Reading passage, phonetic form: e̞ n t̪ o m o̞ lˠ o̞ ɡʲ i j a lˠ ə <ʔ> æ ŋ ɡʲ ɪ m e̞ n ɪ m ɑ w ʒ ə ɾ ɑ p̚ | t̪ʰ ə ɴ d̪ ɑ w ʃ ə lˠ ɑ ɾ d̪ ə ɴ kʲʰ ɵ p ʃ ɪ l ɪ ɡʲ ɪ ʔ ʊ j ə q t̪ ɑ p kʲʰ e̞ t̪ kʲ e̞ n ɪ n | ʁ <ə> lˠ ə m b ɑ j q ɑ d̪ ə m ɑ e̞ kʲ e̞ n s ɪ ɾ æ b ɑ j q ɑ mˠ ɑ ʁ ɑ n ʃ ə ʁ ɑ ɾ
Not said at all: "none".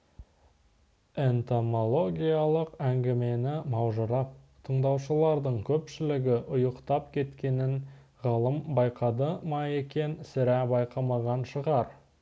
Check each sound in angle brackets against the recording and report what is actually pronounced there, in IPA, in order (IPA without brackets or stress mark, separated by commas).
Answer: q, ɑ